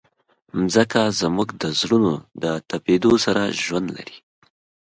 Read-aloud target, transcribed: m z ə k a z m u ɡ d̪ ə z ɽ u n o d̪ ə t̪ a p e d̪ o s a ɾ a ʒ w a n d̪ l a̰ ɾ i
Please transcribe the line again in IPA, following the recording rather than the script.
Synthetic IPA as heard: m z ə k a z m u ɡ d̪ ə z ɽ u n o d̪ ə t̪ a p e d̪ o s a ɾ a ʒ w a n d̪ l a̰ ɾ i